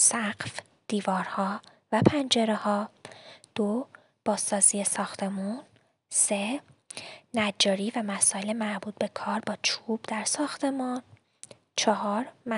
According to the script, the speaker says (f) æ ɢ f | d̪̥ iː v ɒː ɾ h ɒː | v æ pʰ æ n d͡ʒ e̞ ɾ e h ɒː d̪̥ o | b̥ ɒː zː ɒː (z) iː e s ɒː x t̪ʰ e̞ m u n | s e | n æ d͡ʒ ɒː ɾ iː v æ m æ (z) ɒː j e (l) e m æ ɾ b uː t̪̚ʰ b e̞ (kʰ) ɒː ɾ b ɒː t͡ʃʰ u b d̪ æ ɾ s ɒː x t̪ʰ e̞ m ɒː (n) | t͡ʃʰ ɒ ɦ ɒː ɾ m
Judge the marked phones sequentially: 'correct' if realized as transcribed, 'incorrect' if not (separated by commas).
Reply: incorrect, correct, incorrect, correct, correct, correct